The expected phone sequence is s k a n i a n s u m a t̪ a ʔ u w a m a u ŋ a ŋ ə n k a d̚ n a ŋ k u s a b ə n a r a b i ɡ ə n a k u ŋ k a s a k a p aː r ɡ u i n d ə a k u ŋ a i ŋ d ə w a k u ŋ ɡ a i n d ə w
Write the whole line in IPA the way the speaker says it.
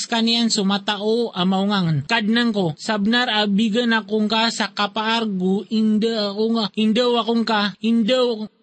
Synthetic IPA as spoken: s k a n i a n s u m a t̪ a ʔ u a m a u ŋ a ŋ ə n k a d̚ n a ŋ k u s a b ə n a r a b i ɡ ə n a k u ŋ k a s a k a p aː r ɡ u i n d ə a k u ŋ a i n d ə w a k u ŋ k a i n d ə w